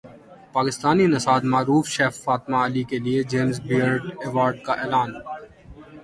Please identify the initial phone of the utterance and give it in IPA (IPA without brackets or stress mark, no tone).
p